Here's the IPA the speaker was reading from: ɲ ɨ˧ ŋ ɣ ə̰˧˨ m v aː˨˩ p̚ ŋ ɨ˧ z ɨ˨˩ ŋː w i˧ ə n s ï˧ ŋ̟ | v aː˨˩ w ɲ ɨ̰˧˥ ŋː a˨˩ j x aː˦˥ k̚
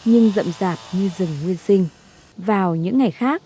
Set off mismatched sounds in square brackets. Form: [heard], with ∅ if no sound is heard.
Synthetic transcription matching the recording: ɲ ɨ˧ ŋ [z] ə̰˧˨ m [z] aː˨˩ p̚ [ɲ] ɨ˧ z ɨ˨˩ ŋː w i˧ ə n s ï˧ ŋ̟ | v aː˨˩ w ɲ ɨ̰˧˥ ŋː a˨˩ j x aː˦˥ k̚